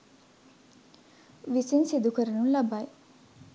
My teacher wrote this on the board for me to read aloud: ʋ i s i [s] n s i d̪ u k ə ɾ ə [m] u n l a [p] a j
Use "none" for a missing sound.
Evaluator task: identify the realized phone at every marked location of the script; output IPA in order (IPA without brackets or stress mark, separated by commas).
none, n, b